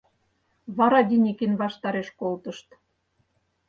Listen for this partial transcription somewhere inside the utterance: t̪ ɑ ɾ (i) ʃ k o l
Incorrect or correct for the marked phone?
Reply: incorrect: e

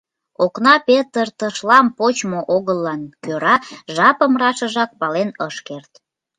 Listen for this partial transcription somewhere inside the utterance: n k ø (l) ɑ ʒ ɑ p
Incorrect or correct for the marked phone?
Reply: incorrect: ɾ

